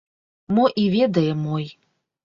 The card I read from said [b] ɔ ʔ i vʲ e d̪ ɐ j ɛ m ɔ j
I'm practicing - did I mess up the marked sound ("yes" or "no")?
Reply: yes